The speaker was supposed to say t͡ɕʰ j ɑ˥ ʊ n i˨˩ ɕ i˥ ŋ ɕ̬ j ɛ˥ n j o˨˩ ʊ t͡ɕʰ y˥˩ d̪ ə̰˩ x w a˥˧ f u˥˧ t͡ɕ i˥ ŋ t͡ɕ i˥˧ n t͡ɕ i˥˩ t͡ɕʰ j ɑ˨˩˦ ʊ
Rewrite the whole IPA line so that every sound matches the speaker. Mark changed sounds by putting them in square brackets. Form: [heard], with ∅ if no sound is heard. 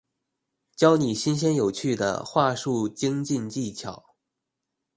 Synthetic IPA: [t͡ɕ] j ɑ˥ ʊ n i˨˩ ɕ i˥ [n] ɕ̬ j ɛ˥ n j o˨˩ ʊ t͡ɕʰ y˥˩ d̪ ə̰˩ x w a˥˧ [ʂ] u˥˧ t͡ɕ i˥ ŋ t͡ɕ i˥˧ n t͡ɕ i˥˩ t͡ɕʰ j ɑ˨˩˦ ʊ